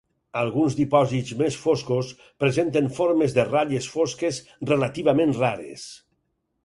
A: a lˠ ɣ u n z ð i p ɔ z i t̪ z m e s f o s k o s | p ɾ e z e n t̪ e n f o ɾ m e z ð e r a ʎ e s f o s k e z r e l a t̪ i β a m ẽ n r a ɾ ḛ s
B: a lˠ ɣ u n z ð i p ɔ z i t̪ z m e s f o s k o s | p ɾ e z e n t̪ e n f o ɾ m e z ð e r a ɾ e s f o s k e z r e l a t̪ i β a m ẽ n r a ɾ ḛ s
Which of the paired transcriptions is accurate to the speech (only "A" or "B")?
A